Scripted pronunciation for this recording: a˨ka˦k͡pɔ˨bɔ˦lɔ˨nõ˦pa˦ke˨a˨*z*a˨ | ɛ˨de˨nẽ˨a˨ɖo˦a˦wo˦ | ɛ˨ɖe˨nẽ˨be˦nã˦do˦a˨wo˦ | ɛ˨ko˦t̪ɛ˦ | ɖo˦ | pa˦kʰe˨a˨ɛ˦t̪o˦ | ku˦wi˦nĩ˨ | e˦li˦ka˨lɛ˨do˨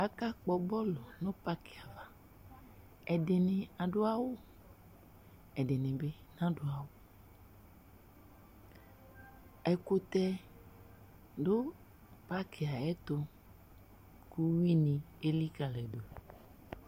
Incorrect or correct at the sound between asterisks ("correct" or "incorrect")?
incorrect